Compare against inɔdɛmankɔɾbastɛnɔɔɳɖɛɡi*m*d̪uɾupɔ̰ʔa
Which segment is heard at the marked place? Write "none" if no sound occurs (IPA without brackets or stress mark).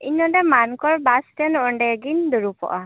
n